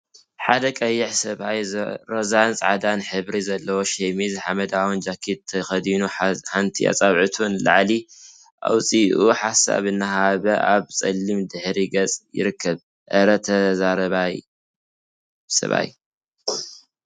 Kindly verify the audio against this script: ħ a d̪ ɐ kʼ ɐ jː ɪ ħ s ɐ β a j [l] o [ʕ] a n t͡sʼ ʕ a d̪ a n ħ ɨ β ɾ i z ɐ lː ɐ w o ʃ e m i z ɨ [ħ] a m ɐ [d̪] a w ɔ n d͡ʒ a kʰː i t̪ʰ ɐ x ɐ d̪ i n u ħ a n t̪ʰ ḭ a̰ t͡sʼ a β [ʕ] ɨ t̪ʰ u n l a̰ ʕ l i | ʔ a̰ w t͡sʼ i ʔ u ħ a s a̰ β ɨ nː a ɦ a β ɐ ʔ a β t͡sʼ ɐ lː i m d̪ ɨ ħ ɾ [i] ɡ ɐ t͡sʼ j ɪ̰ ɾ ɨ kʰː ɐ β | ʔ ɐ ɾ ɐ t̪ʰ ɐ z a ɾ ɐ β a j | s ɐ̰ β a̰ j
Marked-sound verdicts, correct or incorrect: incorrect, incorrect, correct, correct, correct, correct

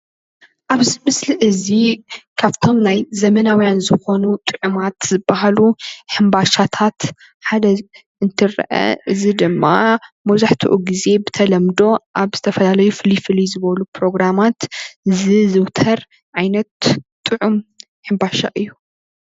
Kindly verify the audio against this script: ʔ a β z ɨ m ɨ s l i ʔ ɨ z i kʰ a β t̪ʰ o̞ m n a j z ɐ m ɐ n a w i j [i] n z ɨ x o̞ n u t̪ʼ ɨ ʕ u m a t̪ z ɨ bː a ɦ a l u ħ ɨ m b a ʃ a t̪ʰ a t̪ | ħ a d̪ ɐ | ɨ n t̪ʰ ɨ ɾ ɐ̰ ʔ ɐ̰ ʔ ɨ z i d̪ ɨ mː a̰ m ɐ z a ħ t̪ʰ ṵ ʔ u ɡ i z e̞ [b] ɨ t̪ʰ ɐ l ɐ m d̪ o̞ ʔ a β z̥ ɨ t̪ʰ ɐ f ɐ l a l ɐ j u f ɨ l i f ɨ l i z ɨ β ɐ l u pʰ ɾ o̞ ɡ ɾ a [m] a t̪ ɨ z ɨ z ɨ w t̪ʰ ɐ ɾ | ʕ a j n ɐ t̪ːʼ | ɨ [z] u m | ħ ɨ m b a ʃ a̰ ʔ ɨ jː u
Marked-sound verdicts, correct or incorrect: incorrect, correct, correct, incorrect

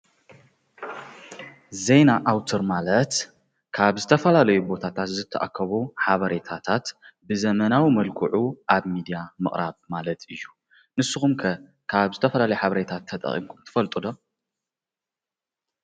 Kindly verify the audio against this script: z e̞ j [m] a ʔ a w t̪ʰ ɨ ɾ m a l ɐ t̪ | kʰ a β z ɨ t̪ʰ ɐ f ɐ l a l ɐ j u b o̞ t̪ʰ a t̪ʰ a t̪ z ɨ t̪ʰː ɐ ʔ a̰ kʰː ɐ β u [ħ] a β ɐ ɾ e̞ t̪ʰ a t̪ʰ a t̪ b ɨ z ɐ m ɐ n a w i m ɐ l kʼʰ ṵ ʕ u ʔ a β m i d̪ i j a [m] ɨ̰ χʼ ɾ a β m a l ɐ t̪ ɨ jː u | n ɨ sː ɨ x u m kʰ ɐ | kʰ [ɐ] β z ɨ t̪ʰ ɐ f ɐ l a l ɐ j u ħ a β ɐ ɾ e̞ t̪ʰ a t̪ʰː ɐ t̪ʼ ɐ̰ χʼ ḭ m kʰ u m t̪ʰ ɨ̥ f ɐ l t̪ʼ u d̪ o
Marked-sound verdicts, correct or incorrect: incorrect, correct, correct, incorrect

